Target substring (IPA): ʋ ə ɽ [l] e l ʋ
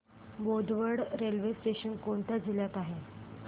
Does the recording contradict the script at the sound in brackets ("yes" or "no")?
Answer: yes